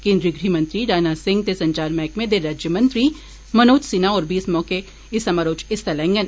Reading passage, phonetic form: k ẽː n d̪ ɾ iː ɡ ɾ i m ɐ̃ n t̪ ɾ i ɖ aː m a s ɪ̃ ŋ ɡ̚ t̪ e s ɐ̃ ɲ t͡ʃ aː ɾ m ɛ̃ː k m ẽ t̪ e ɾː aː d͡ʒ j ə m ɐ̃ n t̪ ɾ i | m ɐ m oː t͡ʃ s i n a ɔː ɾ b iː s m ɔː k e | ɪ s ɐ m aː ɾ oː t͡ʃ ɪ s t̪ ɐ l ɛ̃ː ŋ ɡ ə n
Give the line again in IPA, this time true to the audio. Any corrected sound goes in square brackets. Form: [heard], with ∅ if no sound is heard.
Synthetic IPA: k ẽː n d̪ ɾ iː ɡ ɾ i m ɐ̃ n t̪ ɾ i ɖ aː [n] a s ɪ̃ ŋ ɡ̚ t̪ e s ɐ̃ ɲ t͡ʃ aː ɾ m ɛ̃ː k m ẽ [d̪] e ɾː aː d͡ʒ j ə m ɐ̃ n t̪ ɾ i | m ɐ [n] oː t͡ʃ s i n a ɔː ɾ b iː s m ɔː k e | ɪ s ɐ m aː ɾ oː t͡ʃ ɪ s t̪ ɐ l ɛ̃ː ŋ ɡ ə n